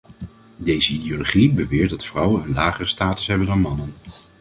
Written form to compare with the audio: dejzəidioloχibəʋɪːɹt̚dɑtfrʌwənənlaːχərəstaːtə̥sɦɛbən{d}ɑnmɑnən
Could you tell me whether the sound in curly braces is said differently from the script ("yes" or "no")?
no